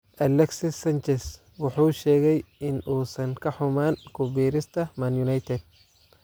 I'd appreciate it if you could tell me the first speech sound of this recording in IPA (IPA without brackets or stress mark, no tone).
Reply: ʔ